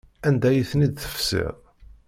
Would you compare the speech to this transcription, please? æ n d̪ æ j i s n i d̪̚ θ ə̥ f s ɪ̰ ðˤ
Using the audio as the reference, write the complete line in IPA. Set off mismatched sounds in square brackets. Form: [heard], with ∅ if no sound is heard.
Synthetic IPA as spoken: æ n d̪ æ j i [θ] n i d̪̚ θ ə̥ f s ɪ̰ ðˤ